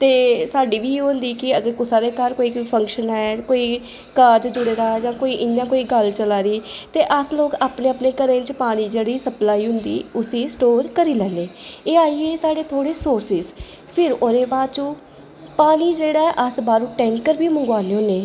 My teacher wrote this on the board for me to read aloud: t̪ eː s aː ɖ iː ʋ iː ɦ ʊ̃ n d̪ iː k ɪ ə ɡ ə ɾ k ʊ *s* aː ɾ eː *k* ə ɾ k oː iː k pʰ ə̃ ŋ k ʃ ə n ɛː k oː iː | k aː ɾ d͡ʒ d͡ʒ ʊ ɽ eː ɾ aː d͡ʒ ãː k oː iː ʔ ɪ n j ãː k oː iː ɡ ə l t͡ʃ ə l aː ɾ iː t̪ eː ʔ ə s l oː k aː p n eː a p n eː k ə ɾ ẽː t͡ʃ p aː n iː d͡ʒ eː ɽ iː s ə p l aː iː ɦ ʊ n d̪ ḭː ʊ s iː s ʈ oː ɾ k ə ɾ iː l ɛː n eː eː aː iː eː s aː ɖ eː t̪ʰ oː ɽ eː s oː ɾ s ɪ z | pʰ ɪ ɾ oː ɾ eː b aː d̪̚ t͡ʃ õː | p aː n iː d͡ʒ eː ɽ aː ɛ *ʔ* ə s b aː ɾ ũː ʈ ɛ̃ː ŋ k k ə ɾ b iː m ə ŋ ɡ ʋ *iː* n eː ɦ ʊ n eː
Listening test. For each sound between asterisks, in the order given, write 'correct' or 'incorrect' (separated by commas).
correct, correct, correct, incorrect